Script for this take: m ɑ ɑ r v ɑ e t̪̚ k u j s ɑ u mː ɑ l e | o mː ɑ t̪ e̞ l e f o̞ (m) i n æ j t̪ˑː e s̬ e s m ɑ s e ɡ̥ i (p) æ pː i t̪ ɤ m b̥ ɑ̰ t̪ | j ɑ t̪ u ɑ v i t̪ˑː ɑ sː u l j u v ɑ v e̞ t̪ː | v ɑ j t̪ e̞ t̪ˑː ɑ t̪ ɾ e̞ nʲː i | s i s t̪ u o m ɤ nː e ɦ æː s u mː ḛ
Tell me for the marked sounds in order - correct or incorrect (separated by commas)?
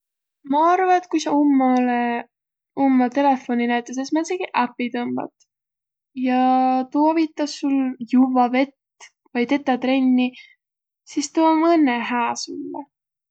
incorrect, incorrect